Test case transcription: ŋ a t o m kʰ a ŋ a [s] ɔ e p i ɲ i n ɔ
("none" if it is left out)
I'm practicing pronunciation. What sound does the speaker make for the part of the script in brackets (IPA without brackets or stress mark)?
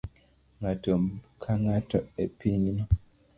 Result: t